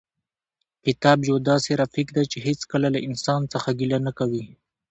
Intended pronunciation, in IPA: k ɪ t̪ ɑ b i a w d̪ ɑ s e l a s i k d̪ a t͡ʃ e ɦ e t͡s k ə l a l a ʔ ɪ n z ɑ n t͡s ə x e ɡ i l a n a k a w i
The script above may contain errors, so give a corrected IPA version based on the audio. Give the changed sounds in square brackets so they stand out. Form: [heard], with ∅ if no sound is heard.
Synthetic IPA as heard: k ɪ t̪ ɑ b [j] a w d̪ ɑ s e [ɾ] a [f] i k d̪ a t͡ʃ e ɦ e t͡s k ə l a l a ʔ ɪ n [s] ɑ n t͡s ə x [a] ɡ i l a n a k a w i